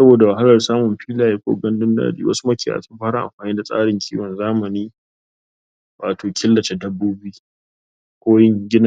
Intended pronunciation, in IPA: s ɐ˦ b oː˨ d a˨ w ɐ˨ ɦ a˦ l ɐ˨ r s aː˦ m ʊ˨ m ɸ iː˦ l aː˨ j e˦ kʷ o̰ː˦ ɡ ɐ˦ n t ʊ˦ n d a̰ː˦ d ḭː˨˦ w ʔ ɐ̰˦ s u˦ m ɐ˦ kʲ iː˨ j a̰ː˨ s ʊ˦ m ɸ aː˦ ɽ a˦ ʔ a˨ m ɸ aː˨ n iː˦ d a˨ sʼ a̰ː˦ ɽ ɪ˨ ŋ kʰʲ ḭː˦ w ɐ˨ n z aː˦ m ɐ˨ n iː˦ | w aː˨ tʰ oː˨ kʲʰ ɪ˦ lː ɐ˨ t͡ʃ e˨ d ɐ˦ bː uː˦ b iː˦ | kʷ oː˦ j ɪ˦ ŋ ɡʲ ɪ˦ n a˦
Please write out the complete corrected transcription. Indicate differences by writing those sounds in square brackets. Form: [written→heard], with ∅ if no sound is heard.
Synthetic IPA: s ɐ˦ b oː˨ d a˨ w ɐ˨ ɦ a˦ l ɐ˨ r s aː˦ m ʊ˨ m ɸ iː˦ l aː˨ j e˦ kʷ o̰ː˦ ɡ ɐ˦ n [t→d] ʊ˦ n d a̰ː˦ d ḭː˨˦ w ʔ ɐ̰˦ s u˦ m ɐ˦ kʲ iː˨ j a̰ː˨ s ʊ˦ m ɸ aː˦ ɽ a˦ ʔ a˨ m ɸ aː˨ n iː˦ d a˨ sʼ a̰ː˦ ɽ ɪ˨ ŋ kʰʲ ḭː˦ w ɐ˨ n z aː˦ m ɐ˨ n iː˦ | w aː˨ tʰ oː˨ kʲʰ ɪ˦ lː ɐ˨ t͡ʃ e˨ d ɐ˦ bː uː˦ b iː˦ | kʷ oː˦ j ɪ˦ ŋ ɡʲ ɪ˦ n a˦